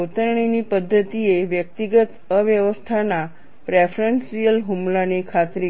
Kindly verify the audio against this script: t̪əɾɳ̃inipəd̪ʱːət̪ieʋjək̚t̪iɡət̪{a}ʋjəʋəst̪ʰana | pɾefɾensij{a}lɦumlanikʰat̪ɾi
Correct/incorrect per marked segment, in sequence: incorrect: ə, incorrect: ə

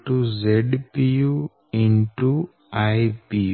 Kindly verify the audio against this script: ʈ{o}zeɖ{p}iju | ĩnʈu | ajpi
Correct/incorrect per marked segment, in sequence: incorrect: u, correct

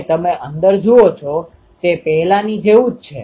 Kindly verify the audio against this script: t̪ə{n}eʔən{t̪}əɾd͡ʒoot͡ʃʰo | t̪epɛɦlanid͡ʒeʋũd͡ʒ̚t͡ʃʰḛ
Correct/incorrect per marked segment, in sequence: incorrect: m, incorrect: d̪

